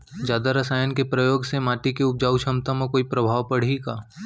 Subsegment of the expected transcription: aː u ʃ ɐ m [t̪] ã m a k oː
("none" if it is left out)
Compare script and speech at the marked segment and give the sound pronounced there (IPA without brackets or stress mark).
t̪